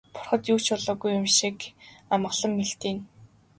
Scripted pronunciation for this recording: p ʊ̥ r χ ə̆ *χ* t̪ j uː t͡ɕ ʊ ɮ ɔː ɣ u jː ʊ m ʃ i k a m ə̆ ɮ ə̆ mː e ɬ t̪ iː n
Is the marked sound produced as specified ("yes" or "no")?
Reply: no